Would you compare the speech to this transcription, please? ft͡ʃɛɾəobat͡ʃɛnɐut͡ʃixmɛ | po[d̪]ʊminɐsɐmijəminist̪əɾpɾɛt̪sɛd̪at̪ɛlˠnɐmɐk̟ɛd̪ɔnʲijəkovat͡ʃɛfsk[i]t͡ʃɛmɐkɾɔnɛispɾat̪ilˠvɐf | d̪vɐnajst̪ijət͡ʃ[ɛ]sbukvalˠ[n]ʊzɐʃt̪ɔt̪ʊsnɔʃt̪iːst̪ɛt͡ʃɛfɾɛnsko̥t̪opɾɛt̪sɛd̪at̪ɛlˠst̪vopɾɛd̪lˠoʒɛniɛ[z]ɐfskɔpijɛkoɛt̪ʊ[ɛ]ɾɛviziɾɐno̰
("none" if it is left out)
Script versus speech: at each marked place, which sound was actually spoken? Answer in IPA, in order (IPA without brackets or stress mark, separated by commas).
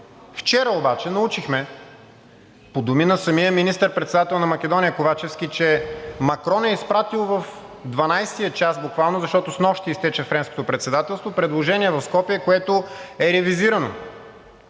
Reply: d̪, i, a, n, v, ɛ